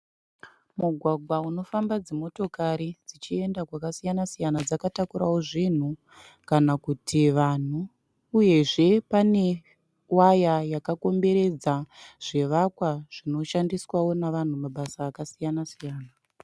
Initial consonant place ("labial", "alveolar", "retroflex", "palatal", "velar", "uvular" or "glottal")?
labial